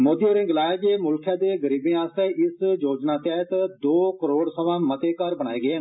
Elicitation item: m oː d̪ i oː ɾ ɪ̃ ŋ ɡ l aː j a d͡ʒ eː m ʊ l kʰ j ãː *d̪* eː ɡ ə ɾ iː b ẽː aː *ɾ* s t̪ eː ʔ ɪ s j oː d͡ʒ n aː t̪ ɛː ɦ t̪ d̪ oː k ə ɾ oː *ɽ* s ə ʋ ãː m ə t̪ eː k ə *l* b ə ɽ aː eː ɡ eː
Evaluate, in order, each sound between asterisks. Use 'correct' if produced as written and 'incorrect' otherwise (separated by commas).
correct, incorrect, correct, incorrect